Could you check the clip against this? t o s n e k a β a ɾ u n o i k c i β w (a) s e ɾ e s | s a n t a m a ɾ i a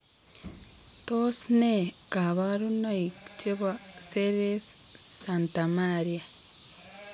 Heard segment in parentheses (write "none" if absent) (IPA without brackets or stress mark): a